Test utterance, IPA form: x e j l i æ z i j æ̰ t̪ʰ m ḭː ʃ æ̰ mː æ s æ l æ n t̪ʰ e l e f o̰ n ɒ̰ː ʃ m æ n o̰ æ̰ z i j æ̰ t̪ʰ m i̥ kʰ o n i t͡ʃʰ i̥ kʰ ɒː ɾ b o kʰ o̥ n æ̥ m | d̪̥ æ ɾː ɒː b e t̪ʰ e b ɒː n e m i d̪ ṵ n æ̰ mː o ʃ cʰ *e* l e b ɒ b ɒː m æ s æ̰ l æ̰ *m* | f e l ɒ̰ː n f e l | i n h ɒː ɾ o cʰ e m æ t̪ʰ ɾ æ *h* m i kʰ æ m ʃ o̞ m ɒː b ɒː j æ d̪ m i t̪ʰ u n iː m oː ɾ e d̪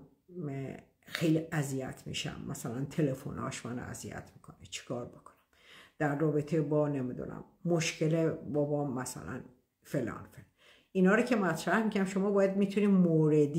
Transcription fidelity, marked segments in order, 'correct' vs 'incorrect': correct, incorrect: n, correct

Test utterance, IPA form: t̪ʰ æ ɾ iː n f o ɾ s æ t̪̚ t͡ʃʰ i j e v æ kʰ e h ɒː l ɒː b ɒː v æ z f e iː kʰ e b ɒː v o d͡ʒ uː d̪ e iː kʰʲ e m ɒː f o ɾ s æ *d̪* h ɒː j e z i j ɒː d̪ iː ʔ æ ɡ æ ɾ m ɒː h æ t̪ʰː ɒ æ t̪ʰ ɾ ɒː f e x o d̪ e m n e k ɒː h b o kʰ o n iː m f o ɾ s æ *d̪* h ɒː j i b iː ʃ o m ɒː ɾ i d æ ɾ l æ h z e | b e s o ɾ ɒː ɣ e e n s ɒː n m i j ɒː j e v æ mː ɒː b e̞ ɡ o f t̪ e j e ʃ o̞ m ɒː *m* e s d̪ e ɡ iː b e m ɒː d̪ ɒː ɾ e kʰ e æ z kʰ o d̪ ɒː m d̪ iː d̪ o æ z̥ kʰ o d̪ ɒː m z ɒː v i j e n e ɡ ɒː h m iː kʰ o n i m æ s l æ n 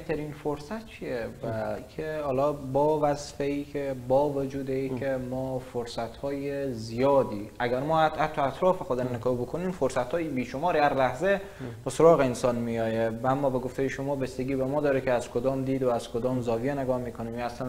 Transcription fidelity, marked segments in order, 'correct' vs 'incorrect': incorrect: t̪, incorrect: t̪, incorrect: b

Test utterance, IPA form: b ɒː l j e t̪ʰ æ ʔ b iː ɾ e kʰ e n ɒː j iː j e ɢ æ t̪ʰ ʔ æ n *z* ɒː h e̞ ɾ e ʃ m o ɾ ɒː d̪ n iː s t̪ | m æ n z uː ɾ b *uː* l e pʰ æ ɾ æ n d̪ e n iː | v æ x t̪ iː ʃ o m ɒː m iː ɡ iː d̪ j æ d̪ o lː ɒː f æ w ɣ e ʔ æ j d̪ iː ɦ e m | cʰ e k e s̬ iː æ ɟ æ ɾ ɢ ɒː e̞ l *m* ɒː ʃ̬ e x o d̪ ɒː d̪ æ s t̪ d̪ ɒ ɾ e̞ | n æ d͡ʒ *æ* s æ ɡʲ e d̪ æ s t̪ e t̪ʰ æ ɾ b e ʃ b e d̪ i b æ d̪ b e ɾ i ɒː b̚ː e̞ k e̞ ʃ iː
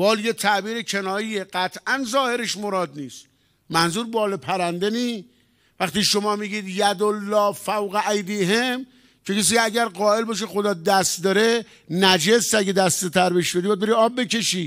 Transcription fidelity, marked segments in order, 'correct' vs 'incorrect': correct, incorrect: ɒː, incorrect: b, incorrect: e

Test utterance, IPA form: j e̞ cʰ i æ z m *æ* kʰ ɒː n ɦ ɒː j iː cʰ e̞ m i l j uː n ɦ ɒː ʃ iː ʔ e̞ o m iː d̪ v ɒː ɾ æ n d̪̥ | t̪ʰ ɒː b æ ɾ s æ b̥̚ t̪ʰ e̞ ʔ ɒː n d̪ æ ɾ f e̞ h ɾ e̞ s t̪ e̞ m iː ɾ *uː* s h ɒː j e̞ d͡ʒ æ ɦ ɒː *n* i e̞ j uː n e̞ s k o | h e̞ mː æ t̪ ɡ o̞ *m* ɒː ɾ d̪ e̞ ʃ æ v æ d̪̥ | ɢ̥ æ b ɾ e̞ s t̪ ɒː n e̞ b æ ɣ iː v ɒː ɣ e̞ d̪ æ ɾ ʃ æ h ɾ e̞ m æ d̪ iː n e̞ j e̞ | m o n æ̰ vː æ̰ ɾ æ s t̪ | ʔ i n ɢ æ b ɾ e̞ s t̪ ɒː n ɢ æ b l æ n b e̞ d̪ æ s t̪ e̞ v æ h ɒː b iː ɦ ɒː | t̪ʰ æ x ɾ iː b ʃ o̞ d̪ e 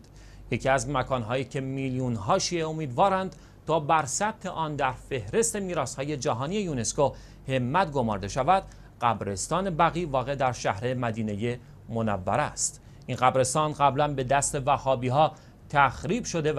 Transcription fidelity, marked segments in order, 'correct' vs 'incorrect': correct, incorrect: ɒː, correct, correct

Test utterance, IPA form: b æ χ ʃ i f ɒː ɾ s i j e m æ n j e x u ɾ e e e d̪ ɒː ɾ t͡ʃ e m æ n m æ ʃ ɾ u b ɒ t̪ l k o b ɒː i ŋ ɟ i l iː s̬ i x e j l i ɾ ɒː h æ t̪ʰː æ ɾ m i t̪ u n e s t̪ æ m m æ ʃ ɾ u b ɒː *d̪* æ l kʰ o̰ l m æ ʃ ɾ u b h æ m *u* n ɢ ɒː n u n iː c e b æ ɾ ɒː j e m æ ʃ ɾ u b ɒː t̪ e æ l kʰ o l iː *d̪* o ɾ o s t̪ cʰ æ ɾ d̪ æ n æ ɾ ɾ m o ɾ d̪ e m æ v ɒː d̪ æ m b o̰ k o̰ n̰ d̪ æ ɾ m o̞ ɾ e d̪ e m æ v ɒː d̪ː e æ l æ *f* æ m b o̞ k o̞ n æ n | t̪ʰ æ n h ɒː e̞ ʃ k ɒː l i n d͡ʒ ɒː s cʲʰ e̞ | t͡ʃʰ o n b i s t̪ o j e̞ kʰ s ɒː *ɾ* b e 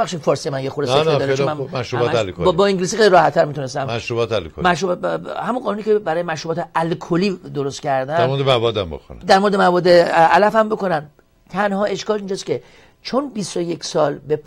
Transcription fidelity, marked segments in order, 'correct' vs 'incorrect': incorrect: t̪, correct, correct, correct, incorrect: l

